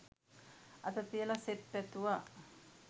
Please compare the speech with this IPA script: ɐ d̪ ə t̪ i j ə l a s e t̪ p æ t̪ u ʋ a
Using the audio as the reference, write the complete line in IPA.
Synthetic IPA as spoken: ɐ t̪ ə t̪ i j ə l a s e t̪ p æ t̪ u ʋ a